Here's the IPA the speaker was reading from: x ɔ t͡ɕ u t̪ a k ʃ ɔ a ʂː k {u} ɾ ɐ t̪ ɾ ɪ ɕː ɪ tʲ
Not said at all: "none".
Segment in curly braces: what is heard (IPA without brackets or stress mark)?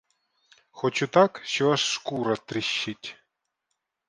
u